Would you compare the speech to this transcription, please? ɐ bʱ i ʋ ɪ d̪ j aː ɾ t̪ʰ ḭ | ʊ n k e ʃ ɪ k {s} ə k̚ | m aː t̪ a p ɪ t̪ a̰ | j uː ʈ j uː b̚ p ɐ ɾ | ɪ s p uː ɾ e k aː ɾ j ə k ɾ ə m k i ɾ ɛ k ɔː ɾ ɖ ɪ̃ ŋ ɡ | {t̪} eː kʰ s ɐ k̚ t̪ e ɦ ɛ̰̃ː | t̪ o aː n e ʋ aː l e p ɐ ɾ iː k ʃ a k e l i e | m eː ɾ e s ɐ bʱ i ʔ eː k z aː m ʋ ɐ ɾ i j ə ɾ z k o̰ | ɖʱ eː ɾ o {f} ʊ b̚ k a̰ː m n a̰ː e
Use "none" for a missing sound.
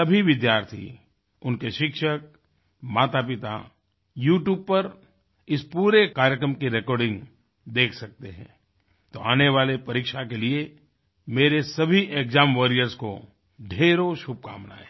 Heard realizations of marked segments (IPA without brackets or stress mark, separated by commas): ʃ, d̪, ʃ